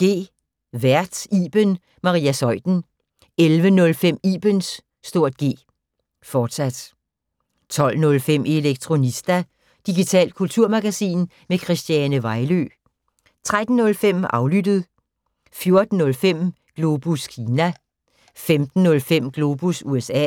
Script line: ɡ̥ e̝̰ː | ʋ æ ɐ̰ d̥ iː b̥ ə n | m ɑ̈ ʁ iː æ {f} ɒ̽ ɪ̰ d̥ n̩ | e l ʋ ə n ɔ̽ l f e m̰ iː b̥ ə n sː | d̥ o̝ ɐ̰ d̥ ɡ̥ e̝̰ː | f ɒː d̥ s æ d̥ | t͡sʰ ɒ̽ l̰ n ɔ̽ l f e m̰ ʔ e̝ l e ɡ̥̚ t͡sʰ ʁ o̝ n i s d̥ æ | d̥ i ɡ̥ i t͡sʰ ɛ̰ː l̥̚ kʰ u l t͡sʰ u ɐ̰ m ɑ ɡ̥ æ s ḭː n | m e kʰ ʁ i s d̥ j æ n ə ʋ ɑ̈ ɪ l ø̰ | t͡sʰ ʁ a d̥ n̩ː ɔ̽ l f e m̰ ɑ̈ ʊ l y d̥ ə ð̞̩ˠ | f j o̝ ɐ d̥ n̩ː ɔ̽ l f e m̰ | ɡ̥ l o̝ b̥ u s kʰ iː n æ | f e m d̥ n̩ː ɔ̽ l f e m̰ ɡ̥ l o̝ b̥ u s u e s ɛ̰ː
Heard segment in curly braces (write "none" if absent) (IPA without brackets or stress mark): s